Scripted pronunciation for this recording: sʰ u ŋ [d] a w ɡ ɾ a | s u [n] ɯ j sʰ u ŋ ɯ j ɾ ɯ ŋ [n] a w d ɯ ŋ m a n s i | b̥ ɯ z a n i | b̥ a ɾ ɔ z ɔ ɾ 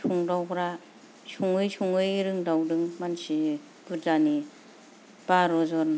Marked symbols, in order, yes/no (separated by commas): yes, no, no